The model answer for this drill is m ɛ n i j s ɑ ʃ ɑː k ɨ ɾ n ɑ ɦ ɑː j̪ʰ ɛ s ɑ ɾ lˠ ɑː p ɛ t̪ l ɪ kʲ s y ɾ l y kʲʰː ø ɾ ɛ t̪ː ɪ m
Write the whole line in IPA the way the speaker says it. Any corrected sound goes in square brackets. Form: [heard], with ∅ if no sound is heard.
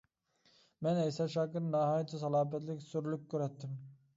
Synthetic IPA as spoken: m ɛ n [ɛ] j s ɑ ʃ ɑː k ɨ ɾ n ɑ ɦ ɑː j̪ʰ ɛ s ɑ [∅] lˠ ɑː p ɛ t̪ l ɪ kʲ s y ɾ l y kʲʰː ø ɾ ɛ t̪ː ɪ m